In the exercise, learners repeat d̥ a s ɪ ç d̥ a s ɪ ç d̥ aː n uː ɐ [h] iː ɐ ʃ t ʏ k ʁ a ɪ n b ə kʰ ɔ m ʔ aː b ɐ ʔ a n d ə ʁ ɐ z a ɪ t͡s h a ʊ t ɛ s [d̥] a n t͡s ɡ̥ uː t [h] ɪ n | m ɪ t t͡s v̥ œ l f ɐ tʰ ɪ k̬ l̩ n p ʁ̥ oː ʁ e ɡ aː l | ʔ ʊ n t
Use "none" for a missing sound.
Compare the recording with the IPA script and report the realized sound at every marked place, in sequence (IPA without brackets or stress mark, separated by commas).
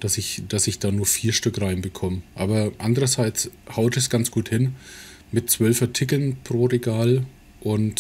f, ɡ̥, h